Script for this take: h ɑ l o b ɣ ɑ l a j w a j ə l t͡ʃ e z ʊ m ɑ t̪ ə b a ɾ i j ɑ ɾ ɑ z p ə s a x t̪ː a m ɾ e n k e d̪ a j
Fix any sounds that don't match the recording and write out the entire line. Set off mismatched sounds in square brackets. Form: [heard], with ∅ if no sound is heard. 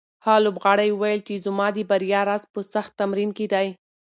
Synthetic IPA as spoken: h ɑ l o b ɣ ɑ [ɽ] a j w a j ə l t͡ʃ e z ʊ m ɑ [d̪] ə b a ɾ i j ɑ ɾ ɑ z p ə s a x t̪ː a m ɾ [i] n k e d̪ a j